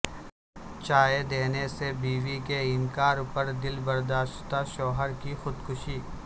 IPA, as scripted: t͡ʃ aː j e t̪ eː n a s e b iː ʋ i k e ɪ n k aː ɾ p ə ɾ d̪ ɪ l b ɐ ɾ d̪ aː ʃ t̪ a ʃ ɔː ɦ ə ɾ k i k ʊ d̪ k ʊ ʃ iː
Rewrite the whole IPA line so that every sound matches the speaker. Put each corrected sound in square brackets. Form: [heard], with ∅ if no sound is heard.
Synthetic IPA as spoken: t͡ʃ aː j e [d̪] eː n [e] s e b iː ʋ i k e ɪ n k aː ɾ p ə ɾ d̪ ɪ l b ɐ ɾ d̪ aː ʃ t̪ a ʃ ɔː ɦ ə ɾ k i [x] ʊ d̪ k ʊ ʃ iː